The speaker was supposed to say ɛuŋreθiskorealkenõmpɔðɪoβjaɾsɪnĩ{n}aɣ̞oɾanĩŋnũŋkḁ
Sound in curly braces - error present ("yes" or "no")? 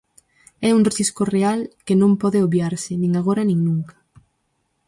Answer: yes